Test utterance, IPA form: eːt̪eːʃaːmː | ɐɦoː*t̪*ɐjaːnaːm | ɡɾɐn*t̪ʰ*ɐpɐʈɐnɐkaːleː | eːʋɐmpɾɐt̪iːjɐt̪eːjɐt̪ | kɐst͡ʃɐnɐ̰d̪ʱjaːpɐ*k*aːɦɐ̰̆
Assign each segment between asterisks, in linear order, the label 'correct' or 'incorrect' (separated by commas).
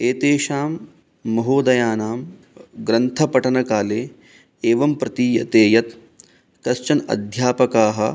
incorrect, correct, correct